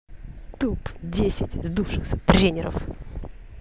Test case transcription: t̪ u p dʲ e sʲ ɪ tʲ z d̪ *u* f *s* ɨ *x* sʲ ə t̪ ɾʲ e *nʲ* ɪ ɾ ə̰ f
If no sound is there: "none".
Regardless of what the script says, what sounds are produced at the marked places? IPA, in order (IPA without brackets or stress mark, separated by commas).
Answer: u, ʂ, x, nʲ